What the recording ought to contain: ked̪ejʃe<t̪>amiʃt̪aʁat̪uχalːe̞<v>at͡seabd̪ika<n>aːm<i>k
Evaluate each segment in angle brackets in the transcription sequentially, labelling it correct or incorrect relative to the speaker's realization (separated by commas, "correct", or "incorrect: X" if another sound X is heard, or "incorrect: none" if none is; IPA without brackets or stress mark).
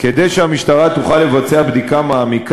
incorrect: none, correct, incorrect: m, correct